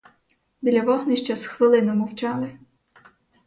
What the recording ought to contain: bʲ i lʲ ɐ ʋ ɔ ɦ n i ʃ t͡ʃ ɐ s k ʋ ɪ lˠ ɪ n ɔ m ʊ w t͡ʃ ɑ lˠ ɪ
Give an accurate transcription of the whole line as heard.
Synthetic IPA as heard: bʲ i lʲ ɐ ʋ ɔ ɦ n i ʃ t͡ʃ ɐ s x ʋ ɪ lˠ ɪ n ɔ m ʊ w t͡ʃ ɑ lˠ ɪ